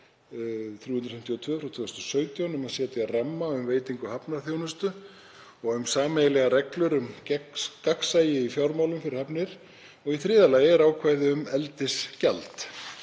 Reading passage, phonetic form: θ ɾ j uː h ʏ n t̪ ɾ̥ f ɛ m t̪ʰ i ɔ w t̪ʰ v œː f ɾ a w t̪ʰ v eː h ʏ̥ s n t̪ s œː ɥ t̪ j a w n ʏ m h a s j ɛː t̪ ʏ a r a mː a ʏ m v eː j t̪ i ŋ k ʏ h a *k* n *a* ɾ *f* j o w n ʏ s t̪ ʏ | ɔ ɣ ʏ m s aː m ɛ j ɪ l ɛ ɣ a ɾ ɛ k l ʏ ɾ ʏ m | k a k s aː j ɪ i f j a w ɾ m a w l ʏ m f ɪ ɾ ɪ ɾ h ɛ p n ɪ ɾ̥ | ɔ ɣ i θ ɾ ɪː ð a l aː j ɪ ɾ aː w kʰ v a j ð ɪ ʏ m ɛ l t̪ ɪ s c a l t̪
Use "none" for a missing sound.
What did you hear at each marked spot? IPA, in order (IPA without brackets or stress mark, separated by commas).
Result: p, a, θ